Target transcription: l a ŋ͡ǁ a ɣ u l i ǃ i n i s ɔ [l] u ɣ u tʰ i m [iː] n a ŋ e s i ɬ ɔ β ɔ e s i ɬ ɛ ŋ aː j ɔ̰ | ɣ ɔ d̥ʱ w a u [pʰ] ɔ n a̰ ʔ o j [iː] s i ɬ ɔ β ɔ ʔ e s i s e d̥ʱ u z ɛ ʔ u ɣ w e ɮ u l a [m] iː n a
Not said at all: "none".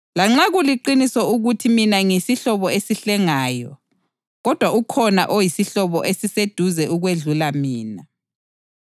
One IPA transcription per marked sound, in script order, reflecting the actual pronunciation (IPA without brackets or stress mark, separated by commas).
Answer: none, i, kʰ, i, m